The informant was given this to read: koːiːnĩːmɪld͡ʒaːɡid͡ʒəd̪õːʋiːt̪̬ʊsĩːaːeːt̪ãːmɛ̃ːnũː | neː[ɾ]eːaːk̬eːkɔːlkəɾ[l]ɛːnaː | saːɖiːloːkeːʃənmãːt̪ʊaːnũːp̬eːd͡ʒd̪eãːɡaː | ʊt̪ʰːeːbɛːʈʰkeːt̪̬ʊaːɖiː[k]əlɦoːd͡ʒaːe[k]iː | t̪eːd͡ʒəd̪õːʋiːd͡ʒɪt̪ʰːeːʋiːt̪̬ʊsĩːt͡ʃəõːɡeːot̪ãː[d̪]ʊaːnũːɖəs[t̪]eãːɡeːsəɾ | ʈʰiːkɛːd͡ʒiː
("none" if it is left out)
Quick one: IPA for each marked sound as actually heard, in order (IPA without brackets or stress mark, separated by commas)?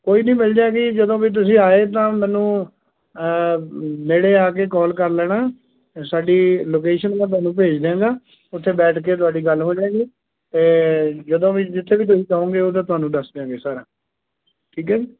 ɽ, l, ɡ, ɡ, t̪, d̪